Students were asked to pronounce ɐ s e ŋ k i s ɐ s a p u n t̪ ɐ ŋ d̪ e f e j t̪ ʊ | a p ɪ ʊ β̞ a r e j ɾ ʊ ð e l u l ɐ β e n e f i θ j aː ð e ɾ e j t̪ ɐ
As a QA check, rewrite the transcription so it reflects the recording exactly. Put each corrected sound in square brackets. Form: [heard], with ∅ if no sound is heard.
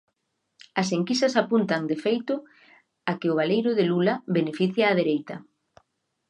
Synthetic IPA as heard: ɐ s e ŋ k i s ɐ s a p u n t̪ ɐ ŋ d̪ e f e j t̪ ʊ | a [k] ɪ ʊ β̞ a [l] e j ɾ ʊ ð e l u l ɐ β e n e f i θ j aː ð e ɾ e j t̪ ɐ